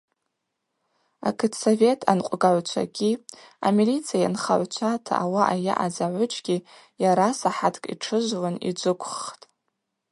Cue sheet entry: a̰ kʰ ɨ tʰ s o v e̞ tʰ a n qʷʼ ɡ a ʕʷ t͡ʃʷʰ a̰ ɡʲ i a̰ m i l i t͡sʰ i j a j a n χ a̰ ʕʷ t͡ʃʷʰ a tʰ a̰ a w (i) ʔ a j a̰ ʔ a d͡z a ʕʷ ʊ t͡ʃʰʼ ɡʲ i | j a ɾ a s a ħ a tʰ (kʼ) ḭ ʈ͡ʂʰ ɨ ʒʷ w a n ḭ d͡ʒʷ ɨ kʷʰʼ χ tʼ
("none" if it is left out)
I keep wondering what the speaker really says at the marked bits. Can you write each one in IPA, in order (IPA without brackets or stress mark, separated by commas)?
a, kʼ